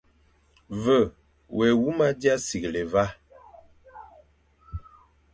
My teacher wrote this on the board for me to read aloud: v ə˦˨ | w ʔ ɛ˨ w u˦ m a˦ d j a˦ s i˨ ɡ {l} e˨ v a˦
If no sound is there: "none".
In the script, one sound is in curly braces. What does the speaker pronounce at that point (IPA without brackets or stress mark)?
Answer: l